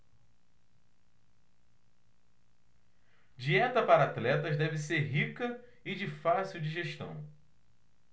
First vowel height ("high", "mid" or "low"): high